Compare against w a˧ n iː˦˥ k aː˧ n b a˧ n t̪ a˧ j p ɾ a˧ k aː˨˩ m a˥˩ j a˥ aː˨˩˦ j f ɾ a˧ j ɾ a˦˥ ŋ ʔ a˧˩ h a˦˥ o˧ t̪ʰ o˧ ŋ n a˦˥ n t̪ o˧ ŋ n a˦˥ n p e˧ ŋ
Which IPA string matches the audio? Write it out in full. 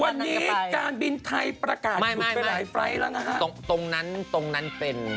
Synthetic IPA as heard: w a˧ nː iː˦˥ k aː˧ n b i˧ n t̪ʰ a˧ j p ɾ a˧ k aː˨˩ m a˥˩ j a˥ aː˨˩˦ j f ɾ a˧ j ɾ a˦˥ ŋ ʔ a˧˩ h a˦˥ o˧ t̪ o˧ ŋ n a˦˥ n t̪ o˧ ŋ n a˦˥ n p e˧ n